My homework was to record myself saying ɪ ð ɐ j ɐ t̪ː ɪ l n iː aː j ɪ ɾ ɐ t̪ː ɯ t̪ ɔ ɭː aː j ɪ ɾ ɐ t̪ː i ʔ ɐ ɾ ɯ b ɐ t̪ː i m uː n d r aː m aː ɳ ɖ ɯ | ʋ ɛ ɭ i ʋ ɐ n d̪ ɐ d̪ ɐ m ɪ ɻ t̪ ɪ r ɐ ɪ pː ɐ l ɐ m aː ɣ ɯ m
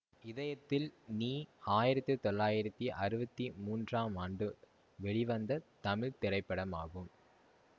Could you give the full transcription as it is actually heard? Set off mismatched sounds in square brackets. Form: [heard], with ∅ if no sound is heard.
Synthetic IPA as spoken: ɪ ð ɐ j ɐ t̪ː ɪ l n iː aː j ɪ ɾ ɐ t̪ː ɯ t̪ ɔ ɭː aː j ɪ ɾ ɐ t̪ː i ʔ ɐ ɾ ɯ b ɐ t̪ː i m uː n d r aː m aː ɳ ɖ ɯ | ʋ ɛ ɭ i ʋ ɐ n d̪ ɐ [t̪] ɐ m ɪ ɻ t̪ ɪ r ɐ ɪ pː ɐ [ɽ] ɐ m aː ɣ ɯ m